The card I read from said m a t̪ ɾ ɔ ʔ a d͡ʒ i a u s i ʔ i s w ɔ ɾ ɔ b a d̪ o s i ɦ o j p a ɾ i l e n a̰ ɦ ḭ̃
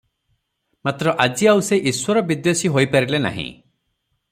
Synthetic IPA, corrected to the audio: m a t̪ ɾ ɔ ʔ a d͡ʒ i a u s e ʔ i s w ɔ ɾ ɔ b i d̪ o s i ɦ o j p a ɾ i l e n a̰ ɦ ḭ̃